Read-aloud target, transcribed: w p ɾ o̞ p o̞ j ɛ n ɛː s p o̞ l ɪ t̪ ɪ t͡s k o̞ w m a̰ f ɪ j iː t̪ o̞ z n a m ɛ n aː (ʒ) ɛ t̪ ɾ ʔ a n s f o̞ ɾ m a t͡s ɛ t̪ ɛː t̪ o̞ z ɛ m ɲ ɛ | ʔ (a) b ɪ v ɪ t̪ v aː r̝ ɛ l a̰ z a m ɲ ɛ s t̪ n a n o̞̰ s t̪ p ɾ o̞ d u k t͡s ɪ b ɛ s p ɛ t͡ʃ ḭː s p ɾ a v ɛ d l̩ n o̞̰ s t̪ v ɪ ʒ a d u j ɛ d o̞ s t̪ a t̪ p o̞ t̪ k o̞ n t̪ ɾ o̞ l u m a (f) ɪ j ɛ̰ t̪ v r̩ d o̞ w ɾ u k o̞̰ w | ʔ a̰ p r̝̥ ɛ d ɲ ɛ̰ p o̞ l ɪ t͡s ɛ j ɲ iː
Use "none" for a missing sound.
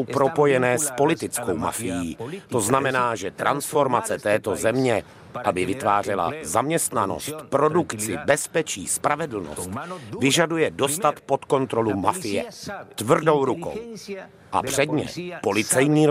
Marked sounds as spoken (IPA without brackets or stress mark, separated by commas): ʒ, a, f